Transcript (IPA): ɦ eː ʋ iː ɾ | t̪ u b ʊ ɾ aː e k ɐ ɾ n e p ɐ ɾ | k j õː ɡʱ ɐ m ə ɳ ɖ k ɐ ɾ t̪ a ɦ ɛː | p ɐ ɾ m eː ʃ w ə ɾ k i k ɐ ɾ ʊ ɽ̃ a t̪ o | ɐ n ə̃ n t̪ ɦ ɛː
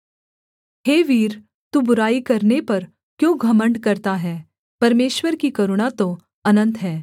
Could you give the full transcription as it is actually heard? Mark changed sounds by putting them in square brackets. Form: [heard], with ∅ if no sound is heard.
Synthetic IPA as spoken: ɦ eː ʋ iː ɾ | t̪ u b ʊ ɾ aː [i] k ɐ ɾ n e p ɐ ɾ | k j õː ɡʱ ɐ m ə ɳ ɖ k ɐ ɾ t̪ a ɦ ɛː | p ɐ ɾ m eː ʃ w ə ɾ k i k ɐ ɾ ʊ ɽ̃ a t̪ o | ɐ n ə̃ n t̪ ɦ ɛː